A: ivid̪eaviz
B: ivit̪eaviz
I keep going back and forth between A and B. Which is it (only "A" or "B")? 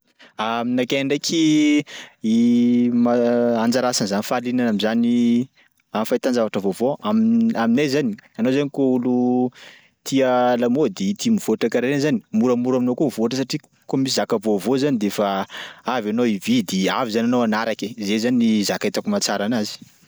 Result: A